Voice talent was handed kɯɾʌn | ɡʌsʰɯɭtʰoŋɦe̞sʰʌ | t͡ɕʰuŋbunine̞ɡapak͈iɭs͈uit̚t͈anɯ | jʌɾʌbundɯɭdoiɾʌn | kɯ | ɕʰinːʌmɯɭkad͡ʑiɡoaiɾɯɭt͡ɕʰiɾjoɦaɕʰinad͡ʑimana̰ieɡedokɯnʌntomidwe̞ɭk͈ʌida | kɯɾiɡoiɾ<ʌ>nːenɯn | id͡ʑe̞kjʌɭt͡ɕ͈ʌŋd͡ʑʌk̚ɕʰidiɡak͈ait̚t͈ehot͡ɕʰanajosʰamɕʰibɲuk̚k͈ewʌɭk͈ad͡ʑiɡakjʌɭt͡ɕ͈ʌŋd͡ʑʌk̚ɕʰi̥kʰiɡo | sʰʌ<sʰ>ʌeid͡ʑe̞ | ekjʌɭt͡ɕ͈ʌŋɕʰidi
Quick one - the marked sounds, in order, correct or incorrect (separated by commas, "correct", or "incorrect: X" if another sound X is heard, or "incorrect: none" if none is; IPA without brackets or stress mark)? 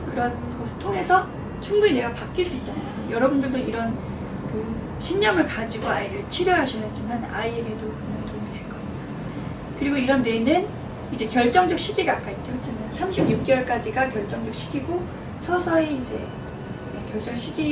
correct, correct